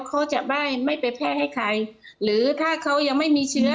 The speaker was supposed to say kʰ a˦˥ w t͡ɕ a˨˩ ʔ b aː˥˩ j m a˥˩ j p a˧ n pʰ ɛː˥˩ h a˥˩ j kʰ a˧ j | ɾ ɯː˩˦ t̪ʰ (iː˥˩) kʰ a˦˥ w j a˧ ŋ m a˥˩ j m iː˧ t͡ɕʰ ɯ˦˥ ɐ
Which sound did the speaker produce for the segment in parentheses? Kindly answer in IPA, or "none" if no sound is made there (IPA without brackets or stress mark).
aː˥˩